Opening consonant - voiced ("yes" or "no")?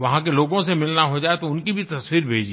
yes